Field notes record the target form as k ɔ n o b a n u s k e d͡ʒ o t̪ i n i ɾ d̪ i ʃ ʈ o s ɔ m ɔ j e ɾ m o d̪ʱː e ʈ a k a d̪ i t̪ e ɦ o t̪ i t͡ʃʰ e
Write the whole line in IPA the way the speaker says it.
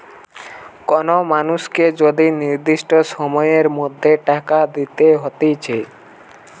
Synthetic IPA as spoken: k ɔ n o m a n u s k e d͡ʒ o d̪ i n i ɾ d̪ i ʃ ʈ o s ɔ m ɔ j e ɾ m o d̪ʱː e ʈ a k a d̪ i t̪ e ɦ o t̪ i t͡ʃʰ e